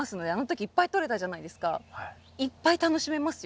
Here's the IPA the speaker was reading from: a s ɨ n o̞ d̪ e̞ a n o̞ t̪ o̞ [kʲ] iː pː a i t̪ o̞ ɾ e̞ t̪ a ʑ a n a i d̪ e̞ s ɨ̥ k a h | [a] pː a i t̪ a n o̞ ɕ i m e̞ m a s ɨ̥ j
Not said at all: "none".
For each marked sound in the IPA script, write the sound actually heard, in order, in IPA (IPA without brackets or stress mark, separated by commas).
kʲ, i